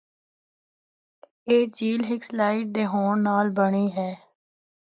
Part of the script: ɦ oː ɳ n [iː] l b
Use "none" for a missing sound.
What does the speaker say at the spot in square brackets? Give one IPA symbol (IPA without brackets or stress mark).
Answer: aː